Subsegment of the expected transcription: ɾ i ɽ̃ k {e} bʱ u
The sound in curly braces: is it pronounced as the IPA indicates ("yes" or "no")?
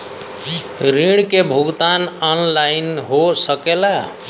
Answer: yes